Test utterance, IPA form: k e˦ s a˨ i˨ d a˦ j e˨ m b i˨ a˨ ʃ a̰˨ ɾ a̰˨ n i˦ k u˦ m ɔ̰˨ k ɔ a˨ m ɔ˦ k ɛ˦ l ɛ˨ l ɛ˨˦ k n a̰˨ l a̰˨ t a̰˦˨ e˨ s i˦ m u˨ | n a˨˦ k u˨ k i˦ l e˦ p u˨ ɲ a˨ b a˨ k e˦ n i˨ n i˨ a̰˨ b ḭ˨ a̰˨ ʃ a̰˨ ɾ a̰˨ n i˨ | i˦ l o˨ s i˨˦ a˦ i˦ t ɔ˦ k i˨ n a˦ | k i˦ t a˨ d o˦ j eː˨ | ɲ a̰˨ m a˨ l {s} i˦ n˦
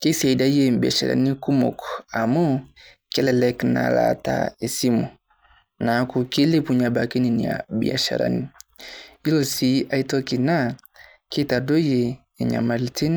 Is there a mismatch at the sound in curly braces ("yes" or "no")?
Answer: yes